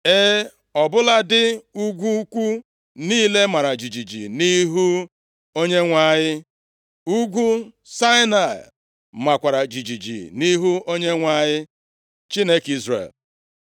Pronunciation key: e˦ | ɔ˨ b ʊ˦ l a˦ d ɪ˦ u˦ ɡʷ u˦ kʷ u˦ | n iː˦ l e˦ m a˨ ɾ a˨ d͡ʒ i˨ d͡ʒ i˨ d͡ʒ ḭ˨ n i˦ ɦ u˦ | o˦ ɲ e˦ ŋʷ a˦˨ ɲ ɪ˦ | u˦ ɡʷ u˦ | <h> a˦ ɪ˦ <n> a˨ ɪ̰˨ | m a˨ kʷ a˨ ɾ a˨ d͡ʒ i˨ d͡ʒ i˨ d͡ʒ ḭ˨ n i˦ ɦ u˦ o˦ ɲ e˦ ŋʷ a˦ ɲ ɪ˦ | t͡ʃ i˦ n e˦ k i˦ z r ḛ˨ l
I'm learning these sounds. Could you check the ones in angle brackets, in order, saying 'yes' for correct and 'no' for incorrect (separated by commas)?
no, yes